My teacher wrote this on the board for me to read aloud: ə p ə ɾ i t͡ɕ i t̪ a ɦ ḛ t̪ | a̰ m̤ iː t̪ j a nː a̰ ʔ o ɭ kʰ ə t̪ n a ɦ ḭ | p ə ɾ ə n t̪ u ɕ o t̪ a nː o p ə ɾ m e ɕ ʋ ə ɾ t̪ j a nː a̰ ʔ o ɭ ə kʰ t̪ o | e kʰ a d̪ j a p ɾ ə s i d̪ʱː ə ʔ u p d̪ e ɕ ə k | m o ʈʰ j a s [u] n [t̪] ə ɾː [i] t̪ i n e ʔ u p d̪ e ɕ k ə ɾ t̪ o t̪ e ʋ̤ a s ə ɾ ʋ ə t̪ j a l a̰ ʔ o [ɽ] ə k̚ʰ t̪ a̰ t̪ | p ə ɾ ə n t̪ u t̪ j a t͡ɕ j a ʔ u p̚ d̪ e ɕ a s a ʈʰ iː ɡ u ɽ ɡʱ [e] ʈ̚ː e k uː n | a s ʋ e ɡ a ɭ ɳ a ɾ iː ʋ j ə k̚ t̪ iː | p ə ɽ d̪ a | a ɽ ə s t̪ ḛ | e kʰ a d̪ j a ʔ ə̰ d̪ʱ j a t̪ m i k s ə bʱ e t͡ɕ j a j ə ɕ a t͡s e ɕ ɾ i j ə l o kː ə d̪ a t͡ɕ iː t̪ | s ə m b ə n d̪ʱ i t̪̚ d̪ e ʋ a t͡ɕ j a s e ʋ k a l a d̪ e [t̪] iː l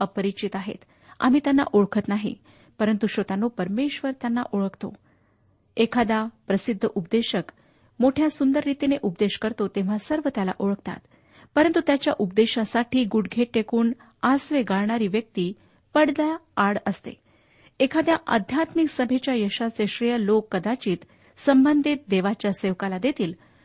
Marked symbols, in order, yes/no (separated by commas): yes, no, yes, no, yes, yes